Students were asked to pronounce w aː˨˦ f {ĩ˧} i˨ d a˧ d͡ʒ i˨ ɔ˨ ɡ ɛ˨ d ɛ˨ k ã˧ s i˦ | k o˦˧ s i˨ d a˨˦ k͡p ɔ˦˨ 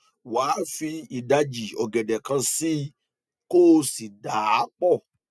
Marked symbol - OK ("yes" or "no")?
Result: no